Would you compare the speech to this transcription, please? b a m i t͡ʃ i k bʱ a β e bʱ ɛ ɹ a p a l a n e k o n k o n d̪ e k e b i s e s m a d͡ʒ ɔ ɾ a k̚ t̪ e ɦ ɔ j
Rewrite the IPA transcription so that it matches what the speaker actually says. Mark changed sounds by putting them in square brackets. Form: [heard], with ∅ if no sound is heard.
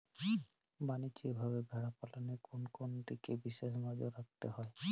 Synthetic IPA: b a [n] i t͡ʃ i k bʱ a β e bʱ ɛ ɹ a p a l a n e k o n k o n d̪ [i] k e b i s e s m a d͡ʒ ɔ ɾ a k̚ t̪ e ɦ ɔ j